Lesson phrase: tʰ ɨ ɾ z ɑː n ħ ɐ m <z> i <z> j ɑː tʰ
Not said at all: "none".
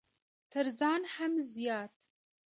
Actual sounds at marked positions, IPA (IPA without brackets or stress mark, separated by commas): z, none